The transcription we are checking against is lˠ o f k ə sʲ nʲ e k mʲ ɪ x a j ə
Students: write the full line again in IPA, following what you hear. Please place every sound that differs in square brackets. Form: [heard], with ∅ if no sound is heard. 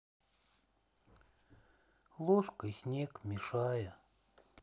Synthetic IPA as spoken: lˠ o [ʂ] k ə sʲ nʲ e k mʲ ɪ [ʂ] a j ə